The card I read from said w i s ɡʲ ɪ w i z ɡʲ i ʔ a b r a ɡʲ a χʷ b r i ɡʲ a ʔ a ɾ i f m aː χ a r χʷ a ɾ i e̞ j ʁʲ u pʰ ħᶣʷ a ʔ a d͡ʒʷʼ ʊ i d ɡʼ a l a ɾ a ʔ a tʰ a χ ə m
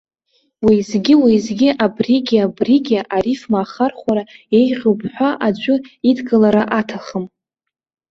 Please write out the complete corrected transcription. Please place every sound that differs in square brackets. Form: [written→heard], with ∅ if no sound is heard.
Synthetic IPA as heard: w i [s→z] ɡʲ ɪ w i z ɡʲ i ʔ a b r [a→i] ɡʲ a [χʷ→∅] b r i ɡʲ a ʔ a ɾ i f m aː χ a r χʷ a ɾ [i→a] e̞ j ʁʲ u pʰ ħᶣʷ a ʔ a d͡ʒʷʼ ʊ i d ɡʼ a l a ɾ a ʔ a tʰ a χ ə m